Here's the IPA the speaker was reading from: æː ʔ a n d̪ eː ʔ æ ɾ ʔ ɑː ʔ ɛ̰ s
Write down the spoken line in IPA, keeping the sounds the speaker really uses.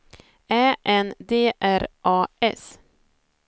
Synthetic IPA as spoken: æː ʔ ɛ n d̪ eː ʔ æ ɾ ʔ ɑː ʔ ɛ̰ s